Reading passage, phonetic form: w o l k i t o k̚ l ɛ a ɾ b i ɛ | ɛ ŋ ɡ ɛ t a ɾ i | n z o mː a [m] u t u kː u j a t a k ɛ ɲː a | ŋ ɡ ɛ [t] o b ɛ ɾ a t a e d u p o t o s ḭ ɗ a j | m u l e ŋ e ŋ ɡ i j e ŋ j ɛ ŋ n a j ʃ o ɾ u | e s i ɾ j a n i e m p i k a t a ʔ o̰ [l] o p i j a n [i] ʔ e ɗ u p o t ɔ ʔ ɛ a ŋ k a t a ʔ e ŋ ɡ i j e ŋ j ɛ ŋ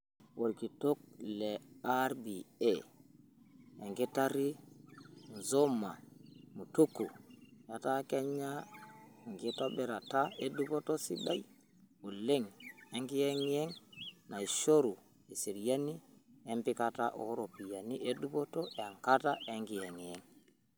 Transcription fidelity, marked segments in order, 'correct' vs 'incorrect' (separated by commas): correct, correct, incorrect, correct